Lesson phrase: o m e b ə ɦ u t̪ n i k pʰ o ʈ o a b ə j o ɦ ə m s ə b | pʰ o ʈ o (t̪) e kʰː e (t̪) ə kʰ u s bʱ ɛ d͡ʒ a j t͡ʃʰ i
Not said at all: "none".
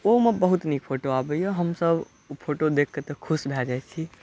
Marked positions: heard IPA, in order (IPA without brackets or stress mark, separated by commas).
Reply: d̪, t̪